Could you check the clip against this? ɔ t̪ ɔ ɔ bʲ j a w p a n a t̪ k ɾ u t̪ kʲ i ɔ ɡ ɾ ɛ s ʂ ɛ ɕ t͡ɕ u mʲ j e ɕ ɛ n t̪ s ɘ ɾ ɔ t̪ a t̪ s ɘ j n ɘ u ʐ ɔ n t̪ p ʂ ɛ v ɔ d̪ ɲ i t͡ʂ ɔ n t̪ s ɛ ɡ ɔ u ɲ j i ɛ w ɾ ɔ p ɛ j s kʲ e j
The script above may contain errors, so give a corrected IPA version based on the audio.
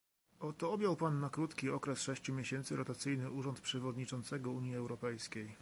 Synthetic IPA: ɔ t̪ ɔ ɔ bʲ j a w p a nː a k ɾ u t̪ kʲ i ɔ k ɾ ɛ s ʂ ɛ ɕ t͡ɕ u mʲ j e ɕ ɛ n t̪ s ɘ ɾ ɔ t̪ a t̪ s ɘ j n ɘ u ʐ ɔ n t̪ p ʂ ɛ v ɔ d̪ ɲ i t͡ʂ ɔ n t̪ s ɛ ɡ ɔ u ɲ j i ɛ w ɾ ɔ p ɛ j s kʲ e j